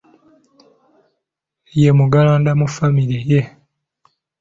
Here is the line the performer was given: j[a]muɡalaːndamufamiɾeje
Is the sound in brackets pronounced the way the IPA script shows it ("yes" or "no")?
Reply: no